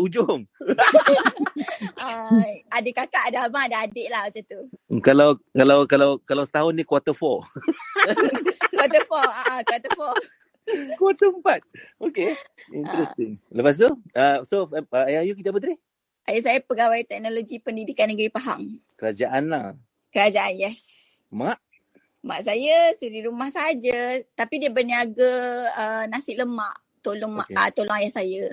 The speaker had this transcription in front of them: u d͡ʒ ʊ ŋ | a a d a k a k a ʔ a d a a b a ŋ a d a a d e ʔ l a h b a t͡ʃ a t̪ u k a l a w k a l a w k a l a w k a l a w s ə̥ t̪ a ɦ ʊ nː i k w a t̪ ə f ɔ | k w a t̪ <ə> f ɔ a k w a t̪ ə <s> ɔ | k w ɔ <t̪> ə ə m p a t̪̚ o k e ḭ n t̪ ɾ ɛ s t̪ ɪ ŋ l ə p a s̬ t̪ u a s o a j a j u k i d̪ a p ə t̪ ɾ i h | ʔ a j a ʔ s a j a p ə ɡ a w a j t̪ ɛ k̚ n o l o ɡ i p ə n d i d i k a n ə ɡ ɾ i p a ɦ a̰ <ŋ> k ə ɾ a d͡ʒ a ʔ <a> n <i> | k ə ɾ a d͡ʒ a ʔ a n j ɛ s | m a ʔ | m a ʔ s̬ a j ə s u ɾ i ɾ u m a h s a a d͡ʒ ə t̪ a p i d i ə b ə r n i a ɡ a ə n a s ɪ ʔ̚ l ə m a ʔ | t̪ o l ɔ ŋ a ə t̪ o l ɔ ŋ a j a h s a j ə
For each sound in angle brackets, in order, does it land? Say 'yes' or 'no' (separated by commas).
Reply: yes, no, yes, yes, yes, no